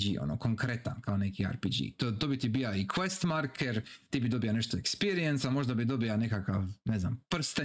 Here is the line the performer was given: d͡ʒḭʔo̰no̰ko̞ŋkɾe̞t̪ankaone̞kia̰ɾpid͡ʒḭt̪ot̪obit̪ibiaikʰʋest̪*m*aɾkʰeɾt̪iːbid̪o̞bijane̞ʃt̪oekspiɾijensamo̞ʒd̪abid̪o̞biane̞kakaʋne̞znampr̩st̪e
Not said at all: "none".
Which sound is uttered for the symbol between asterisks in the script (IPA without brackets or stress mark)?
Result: m